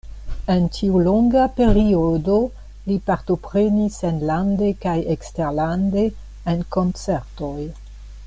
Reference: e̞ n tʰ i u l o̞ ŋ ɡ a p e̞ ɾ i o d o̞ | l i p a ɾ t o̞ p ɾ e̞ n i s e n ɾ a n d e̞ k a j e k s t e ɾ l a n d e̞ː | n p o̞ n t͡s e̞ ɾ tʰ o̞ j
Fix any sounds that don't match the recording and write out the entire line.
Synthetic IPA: e̞ n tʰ i u l o̞ ŋ ɡ a p e̞ ɾ i o d o̞ | l i p a ɾ t o̞ p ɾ e̞ n i s e n l a n d e̞ k a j e k s t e ɾ l a n d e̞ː | n k o̞ n t͡s e̞ ɾ t o̞ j